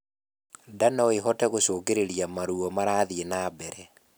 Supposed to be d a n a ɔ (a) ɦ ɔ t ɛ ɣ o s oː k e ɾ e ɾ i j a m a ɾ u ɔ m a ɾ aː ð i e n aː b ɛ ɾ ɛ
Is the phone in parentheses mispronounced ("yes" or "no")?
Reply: yes